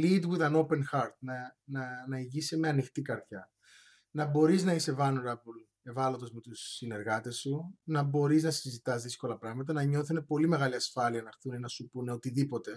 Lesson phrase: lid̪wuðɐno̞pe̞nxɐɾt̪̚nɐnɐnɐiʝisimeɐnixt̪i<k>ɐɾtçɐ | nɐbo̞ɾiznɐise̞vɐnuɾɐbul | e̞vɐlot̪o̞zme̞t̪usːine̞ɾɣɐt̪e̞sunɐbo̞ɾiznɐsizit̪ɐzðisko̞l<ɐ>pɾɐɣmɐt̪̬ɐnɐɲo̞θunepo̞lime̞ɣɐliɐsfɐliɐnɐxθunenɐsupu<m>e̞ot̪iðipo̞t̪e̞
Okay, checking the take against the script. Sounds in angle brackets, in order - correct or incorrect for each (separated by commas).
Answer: correct, correct, incorrect